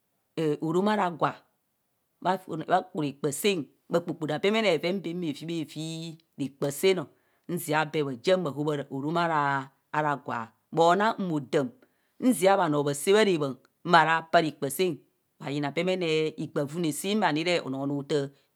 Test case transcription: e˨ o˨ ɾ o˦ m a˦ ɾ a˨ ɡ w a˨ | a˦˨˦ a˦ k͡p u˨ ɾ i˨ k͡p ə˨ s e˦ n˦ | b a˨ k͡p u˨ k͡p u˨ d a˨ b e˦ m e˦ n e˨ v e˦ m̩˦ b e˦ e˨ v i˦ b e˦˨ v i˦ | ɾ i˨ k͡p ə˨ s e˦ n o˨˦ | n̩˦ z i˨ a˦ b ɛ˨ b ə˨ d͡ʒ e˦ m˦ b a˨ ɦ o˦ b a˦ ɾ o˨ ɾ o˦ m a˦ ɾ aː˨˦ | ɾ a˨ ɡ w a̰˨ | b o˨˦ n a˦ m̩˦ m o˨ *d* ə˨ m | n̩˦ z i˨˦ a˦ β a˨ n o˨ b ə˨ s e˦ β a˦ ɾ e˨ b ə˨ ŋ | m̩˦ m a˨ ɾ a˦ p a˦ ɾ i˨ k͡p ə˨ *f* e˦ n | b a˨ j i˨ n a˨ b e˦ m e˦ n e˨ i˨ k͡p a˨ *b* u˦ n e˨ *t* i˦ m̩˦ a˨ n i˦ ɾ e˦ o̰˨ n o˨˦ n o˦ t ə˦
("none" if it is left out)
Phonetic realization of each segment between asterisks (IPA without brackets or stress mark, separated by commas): d, s, v, s